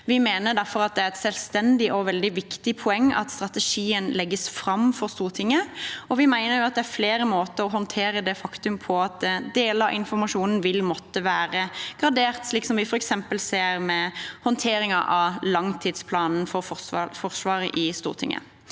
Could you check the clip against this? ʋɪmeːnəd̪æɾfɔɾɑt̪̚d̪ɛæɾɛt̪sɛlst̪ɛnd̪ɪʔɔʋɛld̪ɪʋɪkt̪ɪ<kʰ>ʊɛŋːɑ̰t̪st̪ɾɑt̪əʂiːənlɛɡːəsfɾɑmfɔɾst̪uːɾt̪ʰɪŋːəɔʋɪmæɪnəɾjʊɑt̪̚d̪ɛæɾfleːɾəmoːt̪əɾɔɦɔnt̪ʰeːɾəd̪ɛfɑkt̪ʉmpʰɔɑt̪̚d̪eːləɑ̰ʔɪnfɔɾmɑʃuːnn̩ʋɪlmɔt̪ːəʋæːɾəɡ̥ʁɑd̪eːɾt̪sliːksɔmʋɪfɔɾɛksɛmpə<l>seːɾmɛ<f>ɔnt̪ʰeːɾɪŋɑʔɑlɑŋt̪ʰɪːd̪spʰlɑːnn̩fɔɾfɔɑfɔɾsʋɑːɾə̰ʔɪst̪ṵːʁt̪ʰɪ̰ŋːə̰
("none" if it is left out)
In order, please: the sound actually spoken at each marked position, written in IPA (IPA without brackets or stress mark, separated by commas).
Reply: pʰ, l, h